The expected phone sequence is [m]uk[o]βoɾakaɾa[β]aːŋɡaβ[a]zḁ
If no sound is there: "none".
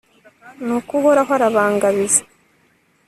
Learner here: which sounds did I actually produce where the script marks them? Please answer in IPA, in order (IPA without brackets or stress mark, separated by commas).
n, u, β, i